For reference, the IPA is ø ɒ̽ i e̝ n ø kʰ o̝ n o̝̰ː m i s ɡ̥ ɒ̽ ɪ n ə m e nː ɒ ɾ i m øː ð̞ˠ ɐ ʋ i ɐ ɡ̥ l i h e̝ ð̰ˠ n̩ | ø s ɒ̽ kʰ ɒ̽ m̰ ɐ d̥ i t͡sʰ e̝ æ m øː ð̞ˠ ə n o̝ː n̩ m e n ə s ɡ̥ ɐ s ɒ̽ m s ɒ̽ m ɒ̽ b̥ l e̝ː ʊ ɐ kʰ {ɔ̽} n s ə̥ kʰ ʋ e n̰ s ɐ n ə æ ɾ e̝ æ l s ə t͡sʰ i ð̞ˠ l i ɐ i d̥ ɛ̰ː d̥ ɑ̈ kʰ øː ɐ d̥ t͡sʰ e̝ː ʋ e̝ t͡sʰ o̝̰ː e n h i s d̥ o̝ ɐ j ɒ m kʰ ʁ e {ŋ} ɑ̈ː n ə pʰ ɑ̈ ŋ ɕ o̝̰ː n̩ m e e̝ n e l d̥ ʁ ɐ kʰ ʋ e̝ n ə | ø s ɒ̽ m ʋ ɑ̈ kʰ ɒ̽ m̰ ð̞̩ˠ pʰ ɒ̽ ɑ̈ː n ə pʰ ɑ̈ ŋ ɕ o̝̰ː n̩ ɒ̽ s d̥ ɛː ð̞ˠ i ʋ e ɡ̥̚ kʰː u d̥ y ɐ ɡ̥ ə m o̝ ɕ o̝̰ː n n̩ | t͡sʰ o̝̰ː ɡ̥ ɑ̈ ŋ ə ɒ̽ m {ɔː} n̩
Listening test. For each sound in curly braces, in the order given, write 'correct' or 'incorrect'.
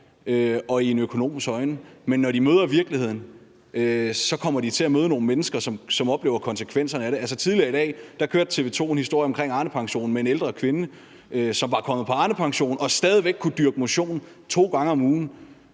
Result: incorrect: ɒ̽, correct, incorrect: uː

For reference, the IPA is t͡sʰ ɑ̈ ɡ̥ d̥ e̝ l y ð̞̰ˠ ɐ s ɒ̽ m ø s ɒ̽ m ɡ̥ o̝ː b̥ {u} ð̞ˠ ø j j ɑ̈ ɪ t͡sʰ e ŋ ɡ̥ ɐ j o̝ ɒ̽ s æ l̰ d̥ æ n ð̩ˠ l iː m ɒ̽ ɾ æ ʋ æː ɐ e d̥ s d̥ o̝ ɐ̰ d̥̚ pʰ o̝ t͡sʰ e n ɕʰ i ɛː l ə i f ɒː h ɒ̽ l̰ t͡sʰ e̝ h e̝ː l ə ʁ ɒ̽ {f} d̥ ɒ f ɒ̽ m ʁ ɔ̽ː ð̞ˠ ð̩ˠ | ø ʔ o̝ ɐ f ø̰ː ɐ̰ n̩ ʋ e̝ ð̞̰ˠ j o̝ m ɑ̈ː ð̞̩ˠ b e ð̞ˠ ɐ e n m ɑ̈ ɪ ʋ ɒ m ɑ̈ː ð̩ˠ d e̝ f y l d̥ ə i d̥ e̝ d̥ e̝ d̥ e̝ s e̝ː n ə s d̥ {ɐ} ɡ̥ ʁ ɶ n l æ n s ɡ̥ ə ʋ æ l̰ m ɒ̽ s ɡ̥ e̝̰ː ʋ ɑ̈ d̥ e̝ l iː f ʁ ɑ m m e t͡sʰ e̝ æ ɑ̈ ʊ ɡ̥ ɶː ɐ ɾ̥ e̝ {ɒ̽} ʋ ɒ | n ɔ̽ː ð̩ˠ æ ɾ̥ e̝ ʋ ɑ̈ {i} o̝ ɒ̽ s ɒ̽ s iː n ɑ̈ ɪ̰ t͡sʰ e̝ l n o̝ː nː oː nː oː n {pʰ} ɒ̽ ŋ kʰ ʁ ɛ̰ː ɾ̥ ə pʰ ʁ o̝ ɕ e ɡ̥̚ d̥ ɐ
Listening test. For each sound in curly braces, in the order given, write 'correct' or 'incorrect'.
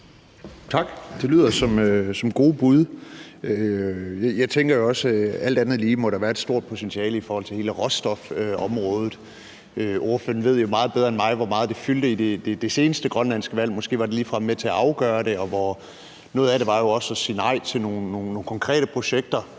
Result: correct, incorrect: s, incorrect: ə, correct, incorrect: j, incorrect: kʰ

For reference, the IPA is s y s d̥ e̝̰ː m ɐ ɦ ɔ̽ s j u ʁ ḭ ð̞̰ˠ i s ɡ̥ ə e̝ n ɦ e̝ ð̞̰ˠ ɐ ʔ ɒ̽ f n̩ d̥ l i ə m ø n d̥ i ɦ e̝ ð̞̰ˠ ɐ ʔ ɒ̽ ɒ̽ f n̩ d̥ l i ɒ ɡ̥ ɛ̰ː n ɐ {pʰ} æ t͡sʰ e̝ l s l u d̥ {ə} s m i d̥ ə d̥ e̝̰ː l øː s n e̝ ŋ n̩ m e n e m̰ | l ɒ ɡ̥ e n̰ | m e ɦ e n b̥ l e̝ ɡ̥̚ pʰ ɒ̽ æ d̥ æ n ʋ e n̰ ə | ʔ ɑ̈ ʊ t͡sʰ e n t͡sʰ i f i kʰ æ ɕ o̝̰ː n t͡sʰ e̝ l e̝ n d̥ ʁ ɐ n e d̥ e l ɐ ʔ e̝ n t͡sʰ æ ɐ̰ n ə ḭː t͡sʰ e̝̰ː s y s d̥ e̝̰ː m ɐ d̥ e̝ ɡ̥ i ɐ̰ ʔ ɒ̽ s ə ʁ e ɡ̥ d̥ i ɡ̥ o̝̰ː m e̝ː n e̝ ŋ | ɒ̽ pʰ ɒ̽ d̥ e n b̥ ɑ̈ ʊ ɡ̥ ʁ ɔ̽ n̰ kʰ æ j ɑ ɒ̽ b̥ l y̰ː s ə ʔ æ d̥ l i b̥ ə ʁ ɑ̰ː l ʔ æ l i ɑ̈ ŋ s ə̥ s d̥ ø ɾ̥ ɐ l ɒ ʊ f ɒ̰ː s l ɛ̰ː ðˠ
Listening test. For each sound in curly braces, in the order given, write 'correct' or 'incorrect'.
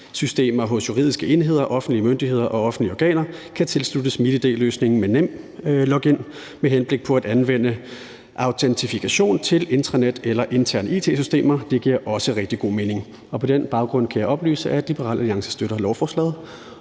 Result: incorrect: kʰ, correct

